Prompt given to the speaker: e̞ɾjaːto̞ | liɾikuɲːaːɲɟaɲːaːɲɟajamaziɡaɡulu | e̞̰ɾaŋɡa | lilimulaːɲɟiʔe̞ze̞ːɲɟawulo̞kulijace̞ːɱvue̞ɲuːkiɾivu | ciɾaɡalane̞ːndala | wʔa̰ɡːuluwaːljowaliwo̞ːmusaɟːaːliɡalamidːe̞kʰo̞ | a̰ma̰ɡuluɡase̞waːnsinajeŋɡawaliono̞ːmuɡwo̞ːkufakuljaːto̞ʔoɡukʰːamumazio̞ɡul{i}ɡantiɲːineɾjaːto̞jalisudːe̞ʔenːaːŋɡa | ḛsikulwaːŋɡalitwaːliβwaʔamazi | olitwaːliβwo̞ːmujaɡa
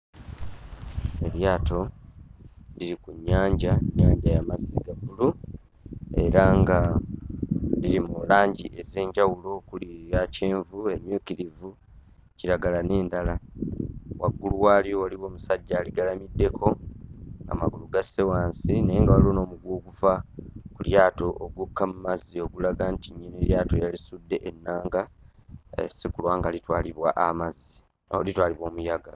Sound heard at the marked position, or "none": a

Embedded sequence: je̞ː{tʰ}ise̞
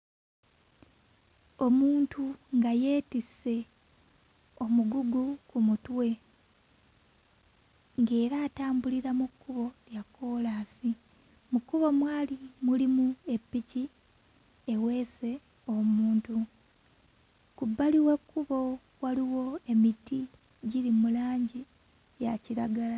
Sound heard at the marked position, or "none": t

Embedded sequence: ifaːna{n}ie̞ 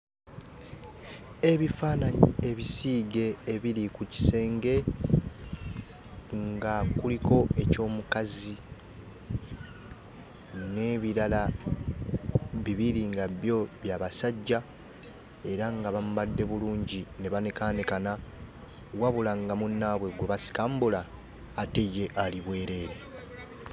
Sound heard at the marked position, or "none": ɲ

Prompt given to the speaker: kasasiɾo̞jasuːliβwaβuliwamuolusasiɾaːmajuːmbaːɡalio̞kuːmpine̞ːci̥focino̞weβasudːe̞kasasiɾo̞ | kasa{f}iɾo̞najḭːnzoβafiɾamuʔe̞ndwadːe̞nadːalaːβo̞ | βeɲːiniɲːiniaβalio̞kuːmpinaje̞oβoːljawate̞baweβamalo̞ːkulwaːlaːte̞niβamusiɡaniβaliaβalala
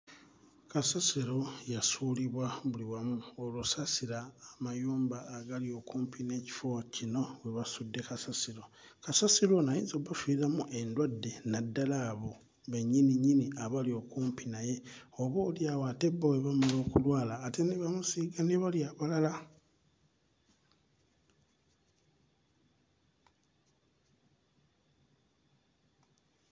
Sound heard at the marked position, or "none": s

